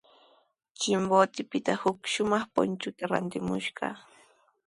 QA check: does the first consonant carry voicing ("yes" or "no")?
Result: no